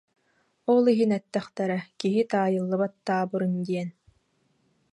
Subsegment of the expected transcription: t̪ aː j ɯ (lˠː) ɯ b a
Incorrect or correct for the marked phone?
correct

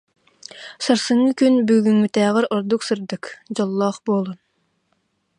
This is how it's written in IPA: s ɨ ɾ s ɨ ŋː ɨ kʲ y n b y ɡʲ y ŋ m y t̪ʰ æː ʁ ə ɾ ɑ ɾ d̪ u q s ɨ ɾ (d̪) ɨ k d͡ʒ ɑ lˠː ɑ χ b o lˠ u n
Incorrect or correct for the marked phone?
correct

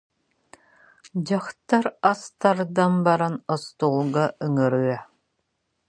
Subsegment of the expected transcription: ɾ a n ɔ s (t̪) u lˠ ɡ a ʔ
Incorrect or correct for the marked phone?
correct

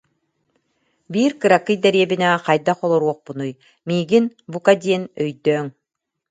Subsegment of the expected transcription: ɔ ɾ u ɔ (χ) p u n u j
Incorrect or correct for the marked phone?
correct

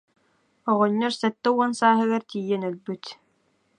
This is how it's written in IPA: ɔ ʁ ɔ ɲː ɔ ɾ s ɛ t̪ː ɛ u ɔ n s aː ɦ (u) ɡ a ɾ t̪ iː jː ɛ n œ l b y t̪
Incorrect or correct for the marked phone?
incorrect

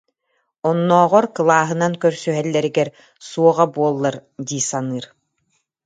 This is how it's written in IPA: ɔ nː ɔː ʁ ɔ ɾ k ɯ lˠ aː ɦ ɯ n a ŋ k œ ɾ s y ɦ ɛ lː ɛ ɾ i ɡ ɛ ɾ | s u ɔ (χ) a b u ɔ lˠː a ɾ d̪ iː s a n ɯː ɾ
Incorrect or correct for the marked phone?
incorrect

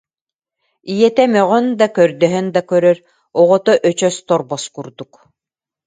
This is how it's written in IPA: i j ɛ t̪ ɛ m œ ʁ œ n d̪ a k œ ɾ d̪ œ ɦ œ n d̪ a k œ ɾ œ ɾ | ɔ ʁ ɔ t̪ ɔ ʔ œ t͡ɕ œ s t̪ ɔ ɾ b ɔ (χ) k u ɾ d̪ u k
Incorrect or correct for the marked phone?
incorrect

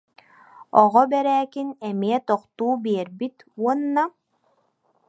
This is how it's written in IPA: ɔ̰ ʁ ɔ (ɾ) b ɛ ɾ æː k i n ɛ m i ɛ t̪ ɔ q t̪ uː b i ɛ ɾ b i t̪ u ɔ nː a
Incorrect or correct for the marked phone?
incorrect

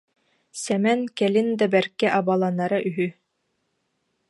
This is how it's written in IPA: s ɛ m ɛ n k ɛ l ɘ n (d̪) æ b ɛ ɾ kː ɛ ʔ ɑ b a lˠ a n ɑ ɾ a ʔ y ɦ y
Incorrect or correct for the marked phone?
correct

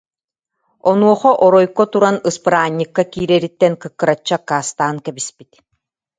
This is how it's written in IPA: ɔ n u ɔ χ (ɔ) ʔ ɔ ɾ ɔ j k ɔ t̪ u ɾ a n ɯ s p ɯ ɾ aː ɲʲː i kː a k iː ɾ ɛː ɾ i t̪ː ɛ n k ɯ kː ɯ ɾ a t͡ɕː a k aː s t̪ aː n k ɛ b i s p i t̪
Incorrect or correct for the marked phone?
correct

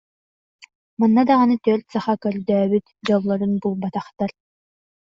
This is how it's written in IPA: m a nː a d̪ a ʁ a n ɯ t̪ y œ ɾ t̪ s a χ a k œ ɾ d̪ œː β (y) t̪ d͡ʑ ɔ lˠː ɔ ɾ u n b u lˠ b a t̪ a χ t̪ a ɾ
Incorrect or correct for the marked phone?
correct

